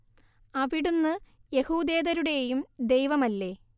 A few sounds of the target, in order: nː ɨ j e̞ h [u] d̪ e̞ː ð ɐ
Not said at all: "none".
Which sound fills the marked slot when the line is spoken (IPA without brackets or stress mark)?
uː